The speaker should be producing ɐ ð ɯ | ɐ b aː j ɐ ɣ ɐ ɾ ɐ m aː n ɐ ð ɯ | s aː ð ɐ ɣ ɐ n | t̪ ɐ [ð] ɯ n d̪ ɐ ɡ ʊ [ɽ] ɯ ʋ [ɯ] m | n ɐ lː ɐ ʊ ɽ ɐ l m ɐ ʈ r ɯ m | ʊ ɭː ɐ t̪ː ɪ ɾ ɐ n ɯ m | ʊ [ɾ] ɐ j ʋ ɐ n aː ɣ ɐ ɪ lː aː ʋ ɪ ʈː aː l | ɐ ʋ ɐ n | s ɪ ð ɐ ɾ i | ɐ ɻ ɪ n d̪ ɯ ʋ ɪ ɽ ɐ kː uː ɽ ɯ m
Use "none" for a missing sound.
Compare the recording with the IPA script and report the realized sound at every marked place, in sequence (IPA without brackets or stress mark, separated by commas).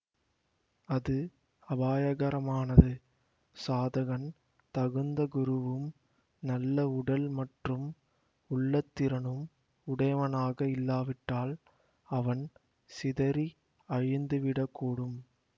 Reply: ɣ, ɾ, ɯ, ɽ